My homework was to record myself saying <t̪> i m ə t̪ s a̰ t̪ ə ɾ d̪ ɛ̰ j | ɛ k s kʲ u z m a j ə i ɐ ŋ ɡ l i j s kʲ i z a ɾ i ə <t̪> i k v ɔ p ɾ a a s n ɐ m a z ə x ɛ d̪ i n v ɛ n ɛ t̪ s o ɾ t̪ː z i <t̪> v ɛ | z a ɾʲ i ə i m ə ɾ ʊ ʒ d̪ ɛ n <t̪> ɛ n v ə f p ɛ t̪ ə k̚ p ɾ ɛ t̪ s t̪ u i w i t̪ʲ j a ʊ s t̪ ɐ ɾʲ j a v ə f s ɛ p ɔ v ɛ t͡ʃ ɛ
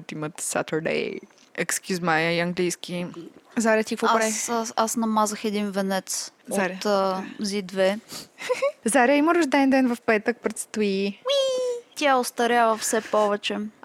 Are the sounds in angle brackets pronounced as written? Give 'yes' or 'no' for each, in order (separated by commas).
yes, yes, no, no